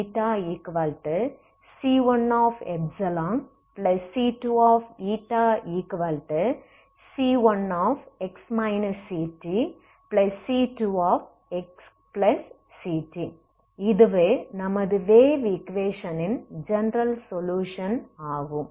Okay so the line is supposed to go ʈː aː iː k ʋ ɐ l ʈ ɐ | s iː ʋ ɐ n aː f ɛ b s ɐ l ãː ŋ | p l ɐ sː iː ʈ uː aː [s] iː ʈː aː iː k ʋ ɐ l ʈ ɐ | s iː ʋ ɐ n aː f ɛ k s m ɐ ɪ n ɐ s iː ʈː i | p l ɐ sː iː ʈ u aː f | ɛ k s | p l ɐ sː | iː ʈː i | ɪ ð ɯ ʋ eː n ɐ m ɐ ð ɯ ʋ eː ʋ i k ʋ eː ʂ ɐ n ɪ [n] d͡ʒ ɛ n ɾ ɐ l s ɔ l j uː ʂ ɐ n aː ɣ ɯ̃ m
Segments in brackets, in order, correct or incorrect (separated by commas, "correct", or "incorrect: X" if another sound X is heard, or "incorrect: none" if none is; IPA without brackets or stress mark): incorrect: f, correct